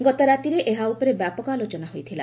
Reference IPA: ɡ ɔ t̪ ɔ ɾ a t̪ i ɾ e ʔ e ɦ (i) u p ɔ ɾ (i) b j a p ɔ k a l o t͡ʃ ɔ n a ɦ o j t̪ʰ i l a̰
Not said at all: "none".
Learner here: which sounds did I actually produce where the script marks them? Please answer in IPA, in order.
a, e

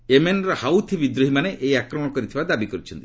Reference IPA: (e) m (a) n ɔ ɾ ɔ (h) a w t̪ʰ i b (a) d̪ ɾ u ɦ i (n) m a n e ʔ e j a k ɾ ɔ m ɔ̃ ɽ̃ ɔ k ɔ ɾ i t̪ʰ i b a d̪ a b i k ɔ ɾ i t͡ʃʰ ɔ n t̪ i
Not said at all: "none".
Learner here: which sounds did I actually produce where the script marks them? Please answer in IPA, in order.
e, e, h, i, none

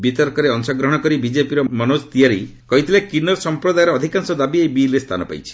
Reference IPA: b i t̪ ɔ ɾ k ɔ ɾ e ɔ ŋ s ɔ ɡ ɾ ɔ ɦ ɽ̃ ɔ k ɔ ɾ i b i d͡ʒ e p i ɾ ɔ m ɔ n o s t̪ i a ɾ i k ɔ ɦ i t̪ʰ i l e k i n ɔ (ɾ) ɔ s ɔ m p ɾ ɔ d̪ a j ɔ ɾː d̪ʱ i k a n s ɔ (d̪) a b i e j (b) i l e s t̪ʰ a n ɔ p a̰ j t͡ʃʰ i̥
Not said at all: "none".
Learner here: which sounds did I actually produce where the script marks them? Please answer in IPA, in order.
ɾ, d̪, b

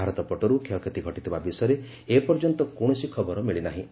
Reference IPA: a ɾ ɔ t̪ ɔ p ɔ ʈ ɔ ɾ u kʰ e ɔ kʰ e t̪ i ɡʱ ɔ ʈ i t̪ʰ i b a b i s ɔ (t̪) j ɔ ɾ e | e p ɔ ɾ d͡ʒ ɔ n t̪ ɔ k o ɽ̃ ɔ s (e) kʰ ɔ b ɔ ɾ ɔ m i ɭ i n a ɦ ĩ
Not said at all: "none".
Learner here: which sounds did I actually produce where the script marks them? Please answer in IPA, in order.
none, i

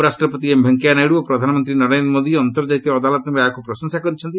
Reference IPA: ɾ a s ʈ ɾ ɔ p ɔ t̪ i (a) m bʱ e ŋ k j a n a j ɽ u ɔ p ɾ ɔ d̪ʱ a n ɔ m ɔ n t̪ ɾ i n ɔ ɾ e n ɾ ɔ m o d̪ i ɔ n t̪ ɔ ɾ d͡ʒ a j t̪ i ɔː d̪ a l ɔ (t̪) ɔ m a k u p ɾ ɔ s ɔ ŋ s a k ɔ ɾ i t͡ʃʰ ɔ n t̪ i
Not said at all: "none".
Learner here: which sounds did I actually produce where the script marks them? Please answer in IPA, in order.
e, t̪

